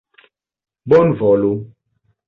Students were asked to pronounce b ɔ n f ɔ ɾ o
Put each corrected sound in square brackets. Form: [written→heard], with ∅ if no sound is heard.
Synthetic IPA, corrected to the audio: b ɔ n [f→v] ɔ [ɾ→l] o